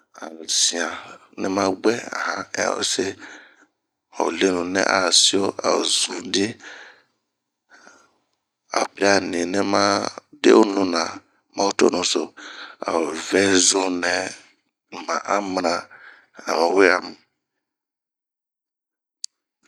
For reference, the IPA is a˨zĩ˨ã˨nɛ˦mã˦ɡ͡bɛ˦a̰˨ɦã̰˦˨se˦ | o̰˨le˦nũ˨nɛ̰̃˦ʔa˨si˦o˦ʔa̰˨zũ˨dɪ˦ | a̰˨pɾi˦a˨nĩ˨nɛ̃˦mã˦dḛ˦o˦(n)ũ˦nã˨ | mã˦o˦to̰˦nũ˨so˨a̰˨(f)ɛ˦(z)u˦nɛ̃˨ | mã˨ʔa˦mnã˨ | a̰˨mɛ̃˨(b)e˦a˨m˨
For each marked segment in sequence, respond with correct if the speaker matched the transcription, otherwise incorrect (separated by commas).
correct, incorrect, correct, incorrect